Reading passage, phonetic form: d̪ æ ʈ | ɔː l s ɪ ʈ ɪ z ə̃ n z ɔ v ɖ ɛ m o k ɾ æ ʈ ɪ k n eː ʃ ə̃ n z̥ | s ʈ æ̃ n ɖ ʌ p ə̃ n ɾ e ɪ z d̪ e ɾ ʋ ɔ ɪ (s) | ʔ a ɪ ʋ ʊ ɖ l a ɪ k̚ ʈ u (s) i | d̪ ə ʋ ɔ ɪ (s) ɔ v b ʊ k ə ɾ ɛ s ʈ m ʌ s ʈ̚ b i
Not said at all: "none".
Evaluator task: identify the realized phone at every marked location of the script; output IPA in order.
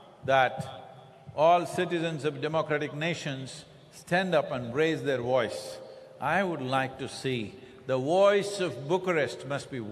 s, s, s

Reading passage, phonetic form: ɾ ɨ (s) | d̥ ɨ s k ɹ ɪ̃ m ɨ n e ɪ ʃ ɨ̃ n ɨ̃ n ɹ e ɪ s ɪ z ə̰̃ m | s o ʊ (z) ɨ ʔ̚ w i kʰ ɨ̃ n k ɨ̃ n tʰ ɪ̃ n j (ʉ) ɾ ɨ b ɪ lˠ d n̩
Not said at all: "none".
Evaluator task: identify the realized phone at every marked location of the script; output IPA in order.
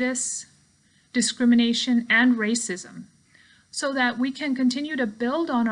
s, ð, ʉ

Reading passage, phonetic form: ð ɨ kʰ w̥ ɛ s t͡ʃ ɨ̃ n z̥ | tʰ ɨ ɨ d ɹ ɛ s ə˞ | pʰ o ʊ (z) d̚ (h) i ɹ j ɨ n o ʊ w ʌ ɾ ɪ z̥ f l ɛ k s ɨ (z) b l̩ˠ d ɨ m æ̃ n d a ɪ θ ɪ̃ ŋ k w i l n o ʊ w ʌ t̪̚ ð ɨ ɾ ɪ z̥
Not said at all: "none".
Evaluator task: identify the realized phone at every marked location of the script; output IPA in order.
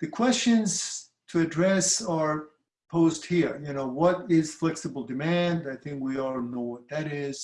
z, h, none

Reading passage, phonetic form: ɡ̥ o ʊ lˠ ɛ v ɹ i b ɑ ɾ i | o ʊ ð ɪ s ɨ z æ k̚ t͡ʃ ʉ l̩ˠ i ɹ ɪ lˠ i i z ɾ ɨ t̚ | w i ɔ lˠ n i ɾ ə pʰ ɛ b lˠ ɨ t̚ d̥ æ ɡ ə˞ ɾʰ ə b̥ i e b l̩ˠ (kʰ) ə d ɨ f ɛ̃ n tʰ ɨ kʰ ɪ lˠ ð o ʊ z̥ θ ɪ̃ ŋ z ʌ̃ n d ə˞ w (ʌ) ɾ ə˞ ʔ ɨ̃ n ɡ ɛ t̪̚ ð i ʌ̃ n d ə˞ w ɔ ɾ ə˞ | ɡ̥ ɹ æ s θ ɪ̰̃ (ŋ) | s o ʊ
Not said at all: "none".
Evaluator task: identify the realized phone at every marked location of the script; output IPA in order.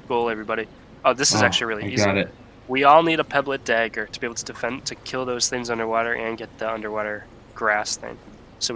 tʰ, ɔ, ŋ

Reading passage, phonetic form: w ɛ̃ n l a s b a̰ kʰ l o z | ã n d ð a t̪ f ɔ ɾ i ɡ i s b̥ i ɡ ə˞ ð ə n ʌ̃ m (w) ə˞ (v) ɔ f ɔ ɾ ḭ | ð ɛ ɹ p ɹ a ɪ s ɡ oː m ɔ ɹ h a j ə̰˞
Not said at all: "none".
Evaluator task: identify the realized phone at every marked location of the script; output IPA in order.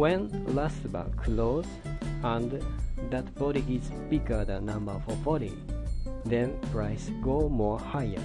b, f

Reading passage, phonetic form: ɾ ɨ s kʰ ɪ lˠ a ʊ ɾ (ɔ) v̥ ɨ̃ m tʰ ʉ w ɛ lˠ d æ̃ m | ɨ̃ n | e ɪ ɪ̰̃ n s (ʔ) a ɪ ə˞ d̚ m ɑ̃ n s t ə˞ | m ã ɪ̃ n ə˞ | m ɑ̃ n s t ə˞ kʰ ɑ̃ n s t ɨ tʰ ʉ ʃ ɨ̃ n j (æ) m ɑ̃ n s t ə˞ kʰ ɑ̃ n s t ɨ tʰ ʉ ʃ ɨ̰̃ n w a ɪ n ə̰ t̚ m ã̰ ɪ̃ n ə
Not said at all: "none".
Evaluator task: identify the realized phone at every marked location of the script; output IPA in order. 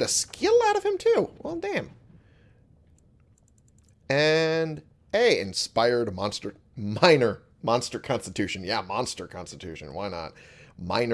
ʌ, p, æ

